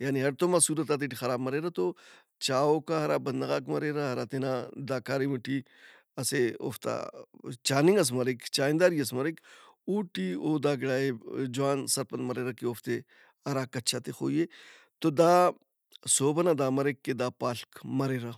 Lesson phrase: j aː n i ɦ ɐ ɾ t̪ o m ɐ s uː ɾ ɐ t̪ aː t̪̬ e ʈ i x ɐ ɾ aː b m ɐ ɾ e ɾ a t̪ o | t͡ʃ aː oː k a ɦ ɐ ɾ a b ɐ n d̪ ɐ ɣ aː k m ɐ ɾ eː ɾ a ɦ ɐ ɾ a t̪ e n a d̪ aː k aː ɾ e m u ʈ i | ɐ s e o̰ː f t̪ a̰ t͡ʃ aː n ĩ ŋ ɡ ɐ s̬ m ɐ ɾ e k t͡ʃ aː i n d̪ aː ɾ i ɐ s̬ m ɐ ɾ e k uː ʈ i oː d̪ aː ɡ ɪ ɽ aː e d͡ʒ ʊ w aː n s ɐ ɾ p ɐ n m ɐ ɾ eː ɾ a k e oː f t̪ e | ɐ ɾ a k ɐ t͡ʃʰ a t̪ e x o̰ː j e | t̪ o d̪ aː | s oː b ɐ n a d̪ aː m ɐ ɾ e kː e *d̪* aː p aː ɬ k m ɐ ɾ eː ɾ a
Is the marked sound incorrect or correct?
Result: correct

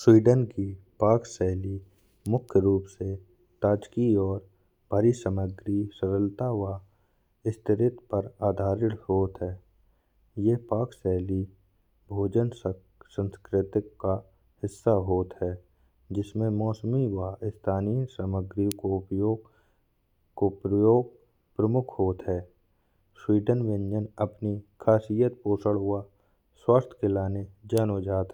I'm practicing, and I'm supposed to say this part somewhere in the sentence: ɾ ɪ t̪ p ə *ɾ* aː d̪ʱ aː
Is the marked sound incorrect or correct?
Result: correct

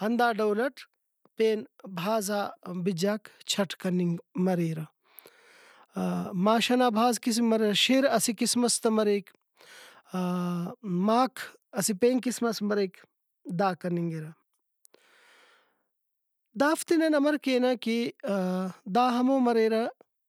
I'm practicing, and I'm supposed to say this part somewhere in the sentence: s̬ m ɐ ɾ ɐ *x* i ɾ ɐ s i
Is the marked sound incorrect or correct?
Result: incorrect: ʃ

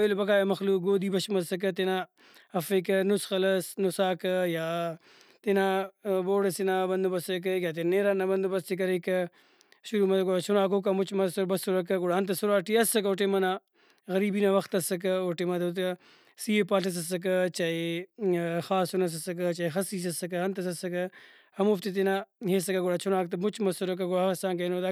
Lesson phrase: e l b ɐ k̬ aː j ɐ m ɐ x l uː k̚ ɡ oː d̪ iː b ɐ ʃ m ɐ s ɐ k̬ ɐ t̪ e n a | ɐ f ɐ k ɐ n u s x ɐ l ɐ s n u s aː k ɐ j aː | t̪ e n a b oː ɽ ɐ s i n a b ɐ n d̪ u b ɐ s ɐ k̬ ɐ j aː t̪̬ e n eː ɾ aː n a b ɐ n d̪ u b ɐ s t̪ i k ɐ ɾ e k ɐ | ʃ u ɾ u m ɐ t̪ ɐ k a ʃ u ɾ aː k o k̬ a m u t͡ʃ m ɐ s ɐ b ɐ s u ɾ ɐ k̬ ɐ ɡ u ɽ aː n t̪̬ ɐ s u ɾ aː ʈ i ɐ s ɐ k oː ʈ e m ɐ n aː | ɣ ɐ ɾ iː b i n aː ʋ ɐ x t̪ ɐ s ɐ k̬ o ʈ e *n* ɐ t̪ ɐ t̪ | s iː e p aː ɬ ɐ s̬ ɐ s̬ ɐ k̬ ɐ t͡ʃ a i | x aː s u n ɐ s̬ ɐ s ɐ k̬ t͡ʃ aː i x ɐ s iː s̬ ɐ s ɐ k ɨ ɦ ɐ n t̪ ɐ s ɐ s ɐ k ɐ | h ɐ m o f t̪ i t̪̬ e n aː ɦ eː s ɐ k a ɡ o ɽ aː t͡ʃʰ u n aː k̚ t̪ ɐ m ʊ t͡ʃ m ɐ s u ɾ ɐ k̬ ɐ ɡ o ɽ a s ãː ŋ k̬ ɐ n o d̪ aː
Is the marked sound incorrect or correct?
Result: incorrect: m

